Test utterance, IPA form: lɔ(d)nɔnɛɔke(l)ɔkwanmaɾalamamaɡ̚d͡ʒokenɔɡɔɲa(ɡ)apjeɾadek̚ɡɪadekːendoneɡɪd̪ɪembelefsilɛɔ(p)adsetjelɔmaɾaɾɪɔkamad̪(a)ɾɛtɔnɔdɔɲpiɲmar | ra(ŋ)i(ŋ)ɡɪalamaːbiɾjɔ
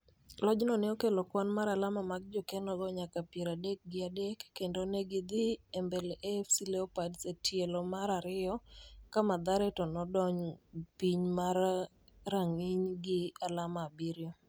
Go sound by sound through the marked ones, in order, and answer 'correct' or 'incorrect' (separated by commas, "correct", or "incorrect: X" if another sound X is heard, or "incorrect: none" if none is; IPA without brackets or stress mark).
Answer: incorrect: d͡ʒ, correct, incorrect: k, correct, correct, correct, incorrect: ɲ